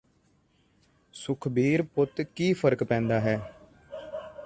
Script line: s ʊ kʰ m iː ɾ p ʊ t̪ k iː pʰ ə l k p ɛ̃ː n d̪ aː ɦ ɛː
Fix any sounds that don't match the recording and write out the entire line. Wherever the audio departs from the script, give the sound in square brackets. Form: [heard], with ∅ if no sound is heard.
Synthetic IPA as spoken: s ʊ kʰ [b] iː ɾ p ʊ t̪ k iː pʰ ə [ɾ] k p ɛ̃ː n d̪ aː ɦ ɛː